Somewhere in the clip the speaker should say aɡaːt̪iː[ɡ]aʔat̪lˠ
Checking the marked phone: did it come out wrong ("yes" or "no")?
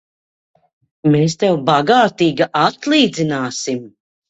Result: no